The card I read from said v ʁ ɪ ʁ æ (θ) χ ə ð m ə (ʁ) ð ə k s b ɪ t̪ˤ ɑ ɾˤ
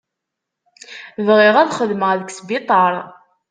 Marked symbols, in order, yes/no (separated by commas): no, yes